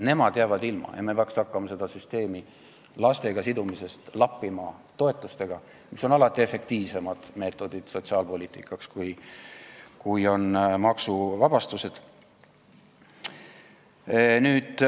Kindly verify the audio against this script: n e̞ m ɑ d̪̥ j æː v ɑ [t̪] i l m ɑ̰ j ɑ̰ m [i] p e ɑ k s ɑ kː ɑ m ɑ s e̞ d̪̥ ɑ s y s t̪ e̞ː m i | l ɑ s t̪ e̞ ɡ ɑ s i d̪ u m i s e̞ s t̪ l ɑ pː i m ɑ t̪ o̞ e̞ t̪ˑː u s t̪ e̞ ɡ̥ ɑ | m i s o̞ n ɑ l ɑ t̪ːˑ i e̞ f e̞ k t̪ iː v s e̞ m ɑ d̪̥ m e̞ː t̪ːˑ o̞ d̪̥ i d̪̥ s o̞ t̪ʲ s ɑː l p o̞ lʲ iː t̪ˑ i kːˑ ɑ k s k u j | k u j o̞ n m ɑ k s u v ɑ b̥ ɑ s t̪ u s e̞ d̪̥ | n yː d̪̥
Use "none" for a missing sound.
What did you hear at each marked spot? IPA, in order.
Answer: d̪, e

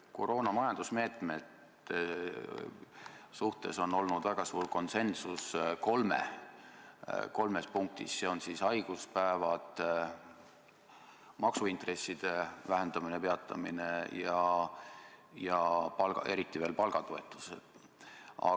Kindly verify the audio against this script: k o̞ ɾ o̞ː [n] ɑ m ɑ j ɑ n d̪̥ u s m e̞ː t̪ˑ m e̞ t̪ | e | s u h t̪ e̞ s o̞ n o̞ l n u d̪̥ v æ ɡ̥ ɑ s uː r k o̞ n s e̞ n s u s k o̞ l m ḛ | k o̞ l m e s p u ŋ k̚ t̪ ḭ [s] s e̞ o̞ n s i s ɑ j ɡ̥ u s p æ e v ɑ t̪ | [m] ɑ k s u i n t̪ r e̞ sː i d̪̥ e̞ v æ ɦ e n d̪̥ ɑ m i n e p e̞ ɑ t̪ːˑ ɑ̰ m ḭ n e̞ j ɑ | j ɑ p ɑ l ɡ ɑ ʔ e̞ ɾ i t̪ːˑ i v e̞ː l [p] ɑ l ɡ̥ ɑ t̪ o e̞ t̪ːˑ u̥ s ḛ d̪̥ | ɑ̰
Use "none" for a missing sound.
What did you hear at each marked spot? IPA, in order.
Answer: n, s, m, p

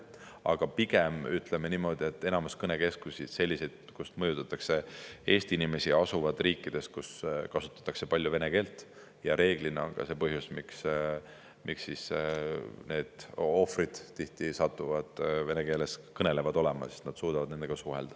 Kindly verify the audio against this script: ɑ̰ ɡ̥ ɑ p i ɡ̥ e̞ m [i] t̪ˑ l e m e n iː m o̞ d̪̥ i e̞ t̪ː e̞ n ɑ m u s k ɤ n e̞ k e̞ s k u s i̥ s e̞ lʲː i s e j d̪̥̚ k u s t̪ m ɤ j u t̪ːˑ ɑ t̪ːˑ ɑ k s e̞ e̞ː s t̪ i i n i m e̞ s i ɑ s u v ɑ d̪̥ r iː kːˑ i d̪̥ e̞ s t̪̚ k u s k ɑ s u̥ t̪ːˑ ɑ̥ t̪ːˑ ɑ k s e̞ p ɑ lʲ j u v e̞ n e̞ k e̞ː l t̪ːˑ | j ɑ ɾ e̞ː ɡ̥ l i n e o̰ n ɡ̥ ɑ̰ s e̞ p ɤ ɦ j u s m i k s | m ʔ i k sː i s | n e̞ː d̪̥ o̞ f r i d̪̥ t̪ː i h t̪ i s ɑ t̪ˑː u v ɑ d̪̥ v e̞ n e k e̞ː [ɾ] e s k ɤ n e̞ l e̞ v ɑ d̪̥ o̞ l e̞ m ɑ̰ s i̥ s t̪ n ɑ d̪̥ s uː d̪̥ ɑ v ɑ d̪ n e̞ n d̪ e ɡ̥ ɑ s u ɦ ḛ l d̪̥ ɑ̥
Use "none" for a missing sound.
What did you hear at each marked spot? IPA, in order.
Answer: y, l

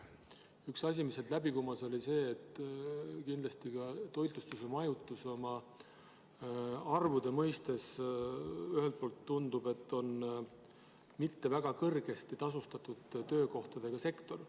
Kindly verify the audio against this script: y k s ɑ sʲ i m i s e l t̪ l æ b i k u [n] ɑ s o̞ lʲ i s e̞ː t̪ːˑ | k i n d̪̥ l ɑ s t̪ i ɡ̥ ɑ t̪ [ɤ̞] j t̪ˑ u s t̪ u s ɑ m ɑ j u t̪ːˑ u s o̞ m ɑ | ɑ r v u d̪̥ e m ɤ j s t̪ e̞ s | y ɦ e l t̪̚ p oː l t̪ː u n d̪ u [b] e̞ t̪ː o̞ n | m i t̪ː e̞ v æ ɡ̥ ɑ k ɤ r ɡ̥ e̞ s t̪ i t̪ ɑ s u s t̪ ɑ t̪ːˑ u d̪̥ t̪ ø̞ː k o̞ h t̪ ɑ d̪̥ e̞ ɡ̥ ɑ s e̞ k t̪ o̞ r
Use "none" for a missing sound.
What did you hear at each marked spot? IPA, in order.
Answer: m, o̞, b

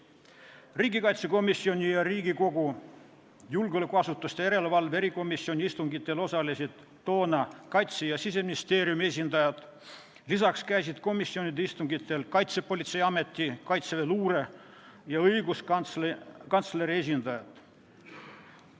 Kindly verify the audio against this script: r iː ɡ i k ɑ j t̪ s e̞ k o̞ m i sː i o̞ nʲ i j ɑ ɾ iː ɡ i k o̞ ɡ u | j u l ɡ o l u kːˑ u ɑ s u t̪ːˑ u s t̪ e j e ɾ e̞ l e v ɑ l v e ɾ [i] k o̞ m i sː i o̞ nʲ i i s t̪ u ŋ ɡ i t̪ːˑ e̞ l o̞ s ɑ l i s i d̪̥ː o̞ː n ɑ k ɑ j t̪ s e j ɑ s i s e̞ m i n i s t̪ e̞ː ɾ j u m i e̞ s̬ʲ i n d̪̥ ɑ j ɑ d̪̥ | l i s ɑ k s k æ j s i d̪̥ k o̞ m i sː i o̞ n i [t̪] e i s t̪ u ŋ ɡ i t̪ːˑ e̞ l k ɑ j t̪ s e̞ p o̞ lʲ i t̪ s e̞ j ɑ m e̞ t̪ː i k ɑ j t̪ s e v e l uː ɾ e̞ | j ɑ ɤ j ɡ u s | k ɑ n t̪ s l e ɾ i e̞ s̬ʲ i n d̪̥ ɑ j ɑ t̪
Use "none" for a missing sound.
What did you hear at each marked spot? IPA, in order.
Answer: i, d̪

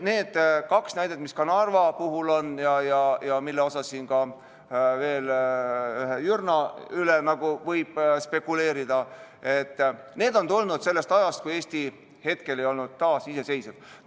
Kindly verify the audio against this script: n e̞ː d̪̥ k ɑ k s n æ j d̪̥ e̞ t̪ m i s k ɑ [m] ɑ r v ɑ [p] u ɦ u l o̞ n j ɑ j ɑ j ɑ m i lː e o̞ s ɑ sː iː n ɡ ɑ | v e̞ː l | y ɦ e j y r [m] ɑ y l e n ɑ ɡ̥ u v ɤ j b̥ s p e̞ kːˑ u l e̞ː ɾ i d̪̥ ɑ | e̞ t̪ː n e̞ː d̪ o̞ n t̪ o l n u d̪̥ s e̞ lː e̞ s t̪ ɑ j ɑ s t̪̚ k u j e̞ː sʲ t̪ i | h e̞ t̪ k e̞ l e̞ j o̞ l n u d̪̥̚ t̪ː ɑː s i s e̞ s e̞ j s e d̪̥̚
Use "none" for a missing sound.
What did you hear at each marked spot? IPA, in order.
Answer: n, p, n

